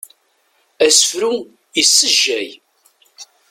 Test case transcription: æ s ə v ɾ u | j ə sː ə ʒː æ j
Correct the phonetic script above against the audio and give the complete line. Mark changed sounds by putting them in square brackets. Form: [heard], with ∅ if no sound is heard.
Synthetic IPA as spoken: æ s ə [f] ɾ u | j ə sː ə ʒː æ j